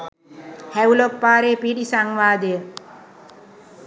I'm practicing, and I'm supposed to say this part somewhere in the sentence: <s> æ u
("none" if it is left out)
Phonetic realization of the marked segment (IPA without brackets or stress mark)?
h